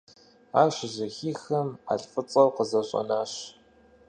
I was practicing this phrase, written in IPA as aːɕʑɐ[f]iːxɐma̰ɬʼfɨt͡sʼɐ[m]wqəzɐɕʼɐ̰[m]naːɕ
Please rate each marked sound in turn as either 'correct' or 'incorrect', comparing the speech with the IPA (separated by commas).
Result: incorrect, incorrect, incorrect